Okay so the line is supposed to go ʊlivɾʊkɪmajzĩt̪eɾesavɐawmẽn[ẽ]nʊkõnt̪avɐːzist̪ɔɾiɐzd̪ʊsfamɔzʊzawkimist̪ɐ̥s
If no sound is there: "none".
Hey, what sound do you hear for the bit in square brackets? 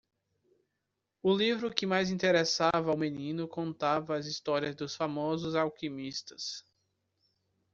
ĩ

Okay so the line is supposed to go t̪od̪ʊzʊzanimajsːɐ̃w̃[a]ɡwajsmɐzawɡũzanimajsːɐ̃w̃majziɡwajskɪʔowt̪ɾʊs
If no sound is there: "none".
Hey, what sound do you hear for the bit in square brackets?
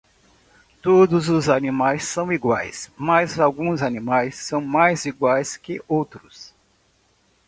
i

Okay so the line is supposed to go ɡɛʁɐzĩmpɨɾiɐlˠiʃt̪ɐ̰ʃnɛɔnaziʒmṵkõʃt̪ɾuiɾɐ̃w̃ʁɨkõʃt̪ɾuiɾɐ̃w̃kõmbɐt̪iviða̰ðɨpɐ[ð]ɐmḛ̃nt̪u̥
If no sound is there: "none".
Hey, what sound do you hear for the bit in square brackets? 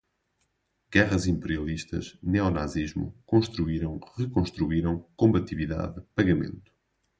ɣ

